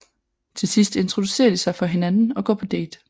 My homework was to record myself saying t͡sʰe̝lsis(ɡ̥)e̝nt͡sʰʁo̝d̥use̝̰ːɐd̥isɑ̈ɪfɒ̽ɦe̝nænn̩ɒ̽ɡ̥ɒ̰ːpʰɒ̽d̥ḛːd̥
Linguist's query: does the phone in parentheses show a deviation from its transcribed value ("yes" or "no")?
yes